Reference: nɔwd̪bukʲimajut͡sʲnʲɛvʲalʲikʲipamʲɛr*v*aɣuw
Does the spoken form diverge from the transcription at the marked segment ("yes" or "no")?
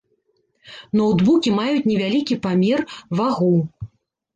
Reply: no